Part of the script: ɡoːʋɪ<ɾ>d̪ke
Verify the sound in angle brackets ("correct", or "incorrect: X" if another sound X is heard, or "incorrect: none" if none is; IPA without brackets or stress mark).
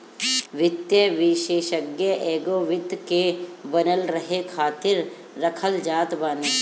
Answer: incorrect: none